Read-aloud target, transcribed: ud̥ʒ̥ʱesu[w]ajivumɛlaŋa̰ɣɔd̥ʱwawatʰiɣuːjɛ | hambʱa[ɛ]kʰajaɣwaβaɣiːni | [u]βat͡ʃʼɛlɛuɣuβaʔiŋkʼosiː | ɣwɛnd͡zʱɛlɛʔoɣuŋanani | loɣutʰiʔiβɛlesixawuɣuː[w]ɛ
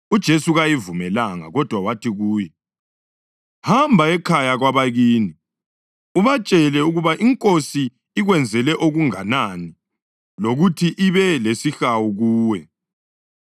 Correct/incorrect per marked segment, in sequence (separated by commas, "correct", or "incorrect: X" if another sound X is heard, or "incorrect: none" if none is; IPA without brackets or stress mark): incorrect: ɣ, correct, correct, correct